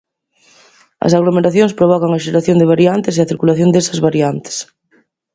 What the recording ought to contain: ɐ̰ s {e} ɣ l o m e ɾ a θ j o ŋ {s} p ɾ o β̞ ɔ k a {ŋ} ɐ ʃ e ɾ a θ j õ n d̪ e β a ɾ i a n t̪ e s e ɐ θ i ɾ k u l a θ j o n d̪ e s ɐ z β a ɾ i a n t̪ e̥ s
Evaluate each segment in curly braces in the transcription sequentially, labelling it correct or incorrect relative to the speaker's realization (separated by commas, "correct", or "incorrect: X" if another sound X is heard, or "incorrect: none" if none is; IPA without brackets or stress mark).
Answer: incorrect: a, correct, correct